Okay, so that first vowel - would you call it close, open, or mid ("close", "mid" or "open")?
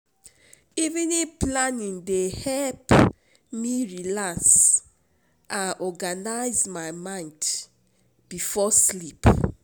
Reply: close